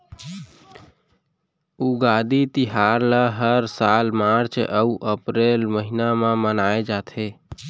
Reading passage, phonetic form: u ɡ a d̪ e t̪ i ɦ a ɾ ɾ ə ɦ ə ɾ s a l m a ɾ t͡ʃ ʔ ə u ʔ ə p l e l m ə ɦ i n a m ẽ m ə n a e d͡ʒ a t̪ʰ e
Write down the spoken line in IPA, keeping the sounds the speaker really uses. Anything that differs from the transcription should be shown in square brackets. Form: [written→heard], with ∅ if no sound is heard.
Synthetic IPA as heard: u ɡ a d̪ [e→i] t̪ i ɦ a ɾ [ɾ→l] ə ɦ ə ɾ s a l m a ɾ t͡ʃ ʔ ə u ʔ ə p [l→ɾ] e l m ə ɦ i n a m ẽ m ə n a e d͡ʒ a t̪ʰ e